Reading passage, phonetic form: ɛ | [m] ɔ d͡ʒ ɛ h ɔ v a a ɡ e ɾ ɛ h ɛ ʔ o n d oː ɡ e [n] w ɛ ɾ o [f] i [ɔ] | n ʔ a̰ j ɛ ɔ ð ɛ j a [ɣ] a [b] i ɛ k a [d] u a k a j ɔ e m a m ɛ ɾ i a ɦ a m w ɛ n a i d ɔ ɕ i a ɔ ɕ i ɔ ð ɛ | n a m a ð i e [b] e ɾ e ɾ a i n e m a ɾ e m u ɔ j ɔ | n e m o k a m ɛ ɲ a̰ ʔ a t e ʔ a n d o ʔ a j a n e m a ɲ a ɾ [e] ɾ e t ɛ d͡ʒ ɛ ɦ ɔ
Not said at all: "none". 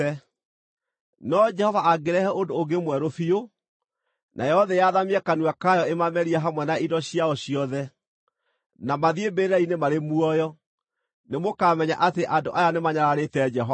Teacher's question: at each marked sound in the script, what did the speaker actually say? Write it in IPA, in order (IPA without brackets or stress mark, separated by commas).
n, m, f, o, ð, m, n, b, a